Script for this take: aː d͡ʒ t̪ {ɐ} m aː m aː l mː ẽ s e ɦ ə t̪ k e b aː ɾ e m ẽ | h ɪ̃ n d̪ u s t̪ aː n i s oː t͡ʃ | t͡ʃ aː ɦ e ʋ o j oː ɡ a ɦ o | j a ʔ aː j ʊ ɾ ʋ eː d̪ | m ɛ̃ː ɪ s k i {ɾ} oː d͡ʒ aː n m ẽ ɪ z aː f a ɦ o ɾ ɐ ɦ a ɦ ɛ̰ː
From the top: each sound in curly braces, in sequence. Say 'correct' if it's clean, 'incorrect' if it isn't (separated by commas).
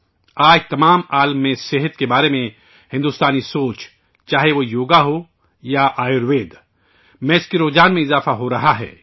correct, correct